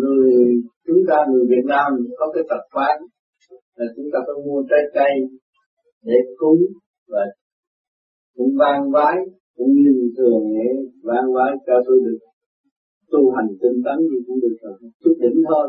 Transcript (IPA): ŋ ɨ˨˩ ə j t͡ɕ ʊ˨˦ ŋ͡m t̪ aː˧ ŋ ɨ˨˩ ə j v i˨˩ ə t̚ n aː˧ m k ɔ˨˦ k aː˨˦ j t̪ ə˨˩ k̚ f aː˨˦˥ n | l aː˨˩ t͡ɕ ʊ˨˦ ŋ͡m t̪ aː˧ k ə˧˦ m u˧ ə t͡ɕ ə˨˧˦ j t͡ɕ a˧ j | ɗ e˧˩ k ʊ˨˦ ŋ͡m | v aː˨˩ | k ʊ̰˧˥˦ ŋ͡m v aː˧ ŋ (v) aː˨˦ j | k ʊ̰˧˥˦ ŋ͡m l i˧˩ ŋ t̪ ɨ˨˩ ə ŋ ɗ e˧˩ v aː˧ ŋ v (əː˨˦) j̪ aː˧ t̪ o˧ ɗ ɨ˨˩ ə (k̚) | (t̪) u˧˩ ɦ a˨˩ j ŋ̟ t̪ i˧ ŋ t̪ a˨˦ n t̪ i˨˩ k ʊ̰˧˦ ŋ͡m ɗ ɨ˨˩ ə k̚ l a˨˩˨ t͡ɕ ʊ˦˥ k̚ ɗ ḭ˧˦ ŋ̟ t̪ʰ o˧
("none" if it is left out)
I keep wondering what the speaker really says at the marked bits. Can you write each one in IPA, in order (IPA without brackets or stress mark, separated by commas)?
v, aː˨˦, k̚, t̪